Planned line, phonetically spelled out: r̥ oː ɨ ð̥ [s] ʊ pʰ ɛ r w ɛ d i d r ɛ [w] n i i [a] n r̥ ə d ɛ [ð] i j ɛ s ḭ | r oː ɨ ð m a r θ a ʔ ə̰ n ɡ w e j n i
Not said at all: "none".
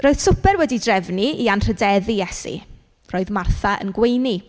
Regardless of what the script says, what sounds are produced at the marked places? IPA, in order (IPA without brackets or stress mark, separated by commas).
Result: s, v, a, ð